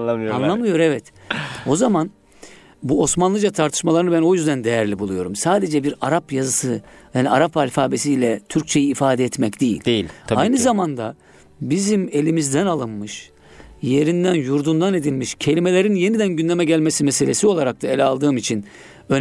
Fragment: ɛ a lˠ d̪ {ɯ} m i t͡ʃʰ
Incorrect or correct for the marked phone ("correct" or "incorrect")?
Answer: incorrect